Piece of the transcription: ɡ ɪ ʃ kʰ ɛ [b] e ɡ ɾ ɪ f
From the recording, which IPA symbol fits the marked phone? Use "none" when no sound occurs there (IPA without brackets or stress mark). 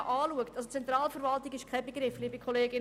b